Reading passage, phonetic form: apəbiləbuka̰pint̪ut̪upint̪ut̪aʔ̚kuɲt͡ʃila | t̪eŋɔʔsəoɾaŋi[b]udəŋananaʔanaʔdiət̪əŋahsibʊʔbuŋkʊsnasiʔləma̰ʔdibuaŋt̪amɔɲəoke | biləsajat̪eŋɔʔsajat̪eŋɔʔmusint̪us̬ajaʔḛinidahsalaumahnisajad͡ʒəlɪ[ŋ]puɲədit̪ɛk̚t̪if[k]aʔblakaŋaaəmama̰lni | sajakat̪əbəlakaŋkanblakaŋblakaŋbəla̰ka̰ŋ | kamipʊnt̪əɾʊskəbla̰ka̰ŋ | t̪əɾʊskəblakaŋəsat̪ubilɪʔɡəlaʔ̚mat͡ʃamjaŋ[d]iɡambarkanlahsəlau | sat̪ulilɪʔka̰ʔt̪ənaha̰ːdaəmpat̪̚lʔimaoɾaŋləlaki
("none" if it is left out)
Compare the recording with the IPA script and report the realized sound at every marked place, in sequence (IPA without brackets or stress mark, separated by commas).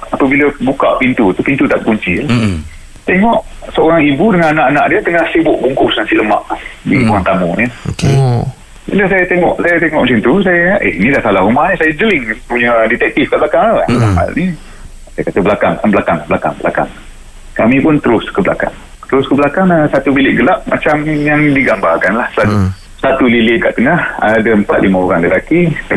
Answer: b, ŋ, k, d